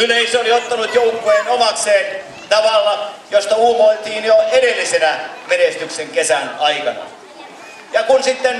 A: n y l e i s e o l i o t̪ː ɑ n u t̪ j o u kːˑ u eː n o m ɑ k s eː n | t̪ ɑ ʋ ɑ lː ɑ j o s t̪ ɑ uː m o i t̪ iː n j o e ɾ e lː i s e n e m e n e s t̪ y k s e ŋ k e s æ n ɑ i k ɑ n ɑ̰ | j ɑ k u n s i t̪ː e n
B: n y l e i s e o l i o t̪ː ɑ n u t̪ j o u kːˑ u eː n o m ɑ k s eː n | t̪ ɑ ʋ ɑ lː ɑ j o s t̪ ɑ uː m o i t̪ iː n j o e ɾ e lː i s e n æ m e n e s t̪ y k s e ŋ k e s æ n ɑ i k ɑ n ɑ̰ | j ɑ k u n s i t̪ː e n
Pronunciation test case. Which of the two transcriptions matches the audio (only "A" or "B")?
B